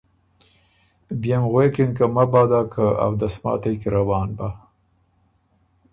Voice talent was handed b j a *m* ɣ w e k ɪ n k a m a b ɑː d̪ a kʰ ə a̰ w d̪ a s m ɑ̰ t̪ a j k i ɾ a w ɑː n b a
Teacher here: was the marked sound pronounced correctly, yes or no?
yes